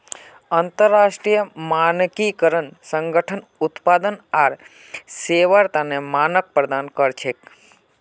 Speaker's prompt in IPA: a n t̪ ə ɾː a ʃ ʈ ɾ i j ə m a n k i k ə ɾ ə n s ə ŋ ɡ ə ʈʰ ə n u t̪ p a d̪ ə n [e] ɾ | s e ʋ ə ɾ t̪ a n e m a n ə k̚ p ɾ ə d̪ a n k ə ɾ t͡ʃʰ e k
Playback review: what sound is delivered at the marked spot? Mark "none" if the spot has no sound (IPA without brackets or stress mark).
a